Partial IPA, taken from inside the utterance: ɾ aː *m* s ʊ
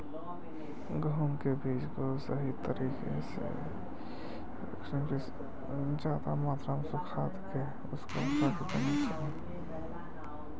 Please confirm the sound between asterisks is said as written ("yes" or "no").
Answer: yes